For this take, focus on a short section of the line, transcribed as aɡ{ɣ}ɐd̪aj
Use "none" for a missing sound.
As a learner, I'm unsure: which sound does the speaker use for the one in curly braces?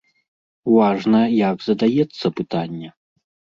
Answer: z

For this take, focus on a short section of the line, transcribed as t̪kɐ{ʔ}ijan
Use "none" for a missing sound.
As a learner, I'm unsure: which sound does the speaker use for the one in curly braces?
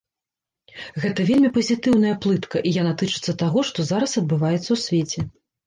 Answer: ʔ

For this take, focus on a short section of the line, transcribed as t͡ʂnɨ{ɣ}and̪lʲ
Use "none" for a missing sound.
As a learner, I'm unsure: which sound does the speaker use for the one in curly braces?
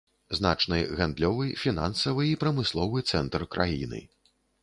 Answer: ɣ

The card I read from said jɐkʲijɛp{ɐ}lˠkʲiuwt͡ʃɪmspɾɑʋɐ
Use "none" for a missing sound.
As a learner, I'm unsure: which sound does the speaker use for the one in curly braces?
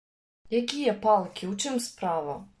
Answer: ɑ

